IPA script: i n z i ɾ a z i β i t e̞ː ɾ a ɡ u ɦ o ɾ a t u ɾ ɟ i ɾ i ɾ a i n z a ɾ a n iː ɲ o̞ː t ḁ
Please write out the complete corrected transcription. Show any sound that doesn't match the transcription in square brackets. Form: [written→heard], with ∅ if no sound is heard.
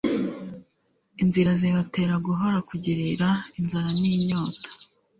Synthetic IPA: i n z i ɾ a z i β [i→a] t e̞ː ɾ a ɡ u ɦ o ɾ a [t→k] u [ɾ→∅] ɟ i ɾ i ɾ a i n z a ɾ a n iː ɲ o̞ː t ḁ